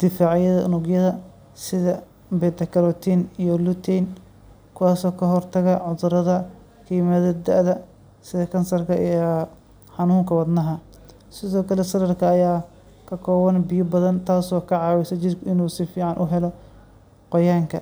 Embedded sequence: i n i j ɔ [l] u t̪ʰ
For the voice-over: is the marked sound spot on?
yes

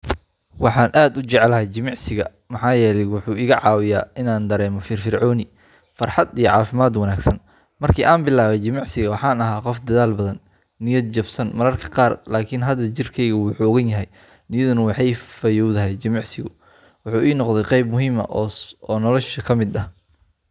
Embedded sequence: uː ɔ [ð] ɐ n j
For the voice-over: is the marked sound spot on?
no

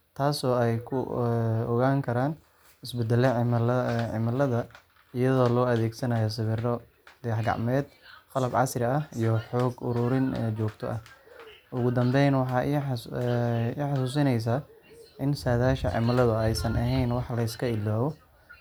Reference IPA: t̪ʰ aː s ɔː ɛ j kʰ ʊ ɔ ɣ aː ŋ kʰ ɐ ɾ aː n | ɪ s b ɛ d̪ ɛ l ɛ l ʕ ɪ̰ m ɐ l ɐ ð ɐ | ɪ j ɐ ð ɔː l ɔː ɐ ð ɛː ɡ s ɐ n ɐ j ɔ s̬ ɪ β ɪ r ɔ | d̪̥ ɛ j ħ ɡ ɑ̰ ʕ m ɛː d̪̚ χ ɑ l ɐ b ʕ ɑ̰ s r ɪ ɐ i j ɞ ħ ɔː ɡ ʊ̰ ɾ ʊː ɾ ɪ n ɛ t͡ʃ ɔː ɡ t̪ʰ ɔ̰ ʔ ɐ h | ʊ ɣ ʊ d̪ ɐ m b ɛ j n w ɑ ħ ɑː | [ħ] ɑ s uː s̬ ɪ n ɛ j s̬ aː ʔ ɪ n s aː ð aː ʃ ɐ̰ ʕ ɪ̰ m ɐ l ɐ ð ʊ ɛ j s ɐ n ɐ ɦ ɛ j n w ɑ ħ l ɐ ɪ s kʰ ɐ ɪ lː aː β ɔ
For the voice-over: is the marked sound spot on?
yes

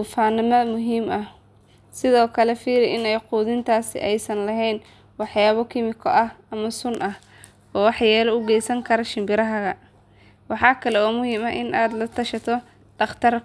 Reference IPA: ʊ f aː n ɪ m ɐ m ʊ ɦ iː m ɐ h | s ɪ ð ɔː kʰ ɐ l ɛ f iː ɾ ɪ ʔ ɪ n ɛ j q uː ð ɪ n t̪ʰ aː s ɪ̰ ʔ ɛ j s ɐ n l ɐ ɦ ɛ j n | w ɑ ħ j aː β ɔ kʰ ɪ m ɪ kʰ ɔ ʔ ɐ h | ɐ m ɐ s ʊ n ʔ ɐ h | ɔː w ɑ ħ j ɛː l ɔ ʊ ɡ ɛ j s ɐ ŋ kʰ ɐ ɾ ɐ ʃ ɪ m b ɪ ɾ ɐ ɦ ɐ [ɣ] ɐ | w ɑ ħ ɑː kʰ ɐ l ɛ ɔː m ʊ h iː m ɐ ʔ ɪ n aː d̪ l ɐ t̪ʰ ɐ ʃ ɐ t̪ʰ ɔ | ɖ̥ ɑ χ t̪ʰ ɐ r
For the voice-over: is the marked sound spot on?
yes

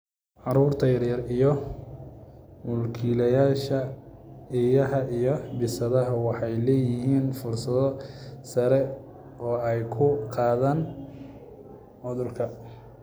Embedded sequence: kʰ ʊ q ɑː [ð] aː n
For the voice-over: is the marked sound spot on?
yes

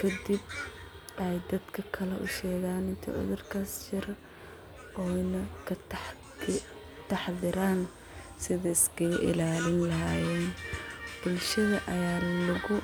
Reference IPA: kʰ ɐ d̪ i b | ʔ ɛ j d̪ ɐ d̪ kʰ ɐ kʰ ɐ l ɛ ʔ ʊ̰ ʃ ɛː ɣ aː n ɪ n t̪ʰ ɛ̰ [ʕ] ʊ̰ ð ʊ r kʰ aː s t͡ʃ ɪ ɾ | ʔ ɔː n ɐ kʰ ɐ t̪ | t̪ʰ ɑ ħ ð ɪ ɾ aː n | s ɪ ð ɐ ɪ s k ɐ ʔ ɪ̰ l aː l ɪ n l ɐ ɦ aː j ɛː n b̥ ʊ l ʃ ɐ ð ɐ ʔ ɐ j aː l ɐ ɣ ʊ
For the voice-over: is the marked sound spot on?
yes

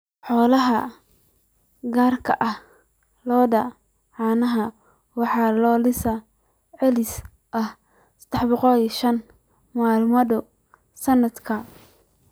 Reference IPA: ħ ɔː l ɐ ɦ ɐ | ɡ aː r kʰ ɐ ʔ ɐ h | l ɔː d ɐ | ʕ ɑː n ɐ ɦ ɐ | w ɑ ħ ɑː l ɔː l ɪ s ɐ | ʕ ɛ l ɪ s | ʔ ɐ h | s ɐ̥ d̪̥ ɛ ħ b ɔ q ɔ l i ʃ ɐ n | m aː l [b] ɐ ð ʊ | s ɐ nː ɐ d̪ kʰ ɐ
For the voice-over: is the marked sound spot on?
no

